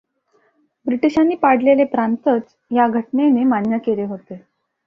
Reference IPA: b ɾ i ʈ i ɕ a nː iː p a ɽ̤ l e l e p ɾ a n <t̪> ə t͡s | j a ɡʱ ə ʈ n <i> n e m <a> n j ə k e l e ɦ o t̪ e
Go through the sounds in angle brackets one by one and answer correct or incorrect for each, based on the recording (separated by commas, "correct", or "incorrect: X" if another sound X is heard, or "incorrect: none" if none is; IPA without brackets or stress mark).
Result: correct, incorrect: e, correct